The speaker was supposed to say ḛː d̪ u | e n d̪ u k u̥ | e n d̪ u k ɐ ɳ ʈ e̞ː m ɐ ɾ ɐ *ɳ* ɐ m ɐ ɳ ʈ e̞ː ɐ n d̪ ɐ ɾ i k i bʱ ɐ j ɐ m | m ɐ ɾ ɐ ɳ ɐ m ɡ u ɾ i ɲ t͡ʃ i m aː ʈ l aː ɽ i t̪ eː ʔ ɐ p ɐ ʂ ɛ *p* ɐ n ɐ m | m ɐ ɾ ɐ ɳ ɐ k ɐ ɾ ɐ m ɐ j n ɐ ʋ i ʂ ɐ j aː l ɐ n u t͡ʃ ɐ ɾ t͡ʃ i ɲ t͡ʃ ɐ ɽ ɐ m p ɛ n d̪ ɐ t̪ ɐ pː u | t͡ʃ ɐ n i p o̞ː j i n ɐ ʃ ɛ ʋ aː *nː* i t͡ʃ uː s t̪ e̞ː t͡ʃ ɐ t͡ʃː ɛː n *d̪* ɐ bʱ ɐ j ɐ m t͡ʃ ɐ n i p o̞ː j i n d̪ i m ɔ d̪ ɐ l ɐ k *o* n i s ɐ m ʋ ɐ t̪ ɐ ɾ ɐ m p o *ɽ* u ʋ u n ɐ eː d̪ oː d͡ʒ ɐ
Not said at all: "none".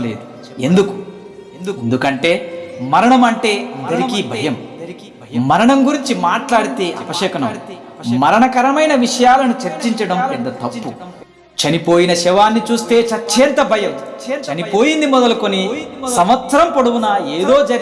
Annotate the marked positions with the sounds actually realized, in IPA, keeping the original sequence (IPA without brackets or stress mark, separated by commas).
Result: ɳ, k, nː, t̪, o, ɽ